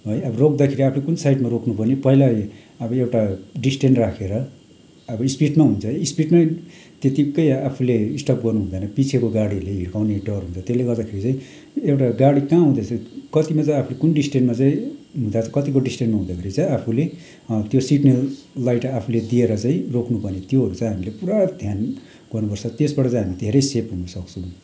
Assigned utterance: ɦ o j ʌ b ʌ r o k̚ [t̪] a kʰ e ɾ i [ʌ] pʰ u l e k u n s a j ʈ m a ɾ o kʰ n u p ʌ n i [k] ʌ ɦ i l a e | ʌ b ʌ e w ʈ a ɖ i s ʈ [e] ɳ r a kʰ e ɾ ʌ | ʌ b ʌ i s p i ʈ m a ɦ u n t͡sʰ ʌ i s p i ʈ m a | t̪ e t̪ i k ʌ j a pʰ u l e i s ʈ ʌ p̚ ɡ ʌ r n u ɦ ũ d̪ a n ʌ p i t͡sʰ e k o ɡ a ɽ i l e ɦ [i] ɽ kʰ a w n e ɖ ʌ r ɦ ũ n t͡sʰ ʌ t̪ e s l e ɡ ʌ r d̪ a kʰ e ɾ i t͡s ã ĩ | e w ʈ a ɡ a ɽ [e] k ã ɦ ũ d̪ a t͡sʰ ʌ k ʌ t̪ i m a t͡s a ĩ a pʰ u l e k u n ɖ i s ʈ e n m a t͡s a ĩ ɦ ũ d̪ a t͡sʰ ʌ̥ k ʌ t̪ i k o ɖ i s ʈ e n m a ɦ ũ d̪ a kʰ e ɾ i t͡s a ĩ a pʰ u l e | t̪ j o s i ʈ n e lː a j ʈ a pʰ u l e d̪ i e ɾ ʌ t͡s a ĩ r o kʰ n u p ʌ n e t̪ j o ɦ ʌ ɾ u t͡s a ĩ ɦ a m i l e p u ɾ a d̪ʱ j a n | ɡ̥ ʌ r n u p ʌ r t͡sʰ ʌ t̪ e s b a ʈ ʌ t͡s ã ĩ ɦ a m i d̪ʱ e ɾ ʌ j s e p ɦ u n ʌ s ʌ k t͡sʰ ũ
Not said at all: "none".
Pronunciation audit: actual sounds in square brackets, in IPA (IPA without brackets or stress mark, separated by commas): d̪, a, p, e, i, i